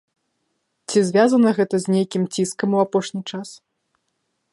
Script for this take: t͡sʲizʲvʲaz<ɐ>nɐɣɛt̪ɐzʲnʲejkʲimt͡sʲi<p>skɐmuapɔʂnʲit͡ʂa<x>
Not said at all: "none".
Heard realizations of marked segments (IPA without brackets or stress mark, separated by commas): ɐ, none, s